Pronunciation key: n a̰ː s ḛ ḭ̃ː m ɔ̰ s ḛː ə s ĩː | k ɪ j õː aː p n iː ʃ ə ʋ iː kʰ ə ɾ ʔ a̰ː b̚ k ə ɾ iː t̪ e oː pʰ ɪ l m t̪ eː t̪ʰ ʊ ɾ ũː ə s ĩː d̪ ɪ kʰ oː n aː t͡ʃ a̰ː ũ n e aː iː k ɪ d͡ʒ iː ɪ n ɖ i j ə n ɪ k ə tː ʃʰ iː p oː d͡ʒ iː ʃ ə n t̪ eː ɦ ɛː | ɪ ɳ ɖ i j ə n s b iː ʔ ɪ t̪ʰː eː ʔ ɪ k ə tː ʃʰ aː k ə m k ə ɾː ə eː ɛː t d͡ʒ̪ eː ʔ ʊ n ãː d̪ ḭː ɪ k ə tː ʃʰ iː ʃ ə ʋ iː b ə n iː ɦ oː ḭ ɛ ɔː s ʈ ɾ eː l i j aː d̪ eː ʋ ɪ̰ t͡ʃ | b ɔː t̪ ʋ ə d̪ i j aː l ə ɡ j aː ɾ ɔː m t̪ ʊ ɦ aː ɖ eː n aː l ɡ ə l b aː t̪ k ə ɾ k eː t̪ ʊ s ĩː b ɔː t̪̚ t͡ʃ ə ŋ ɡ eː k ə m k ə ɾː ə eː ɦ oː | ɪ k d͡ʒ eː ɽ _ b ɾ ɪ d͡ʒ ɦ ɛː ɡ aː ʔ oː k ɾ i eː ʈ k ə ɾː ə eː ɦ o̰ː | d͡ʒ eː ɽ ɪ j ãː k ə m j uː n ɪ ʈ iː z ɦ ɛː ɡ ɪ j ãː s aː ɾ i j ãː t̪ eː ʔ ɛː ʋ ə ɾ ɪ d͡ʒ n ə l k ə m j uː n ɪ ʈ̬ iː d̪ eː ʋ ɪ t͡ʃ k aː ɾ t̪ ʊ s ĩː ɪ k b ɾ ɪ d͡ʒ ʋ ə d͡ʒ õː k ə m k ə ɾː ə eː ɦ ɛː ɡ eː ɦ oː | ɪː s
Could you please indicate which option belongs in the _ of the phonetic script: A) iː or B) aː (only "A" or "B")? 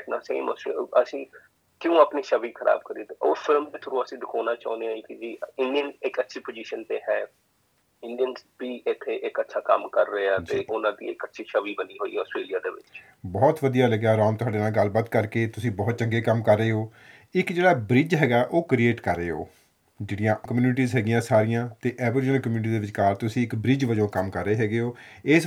B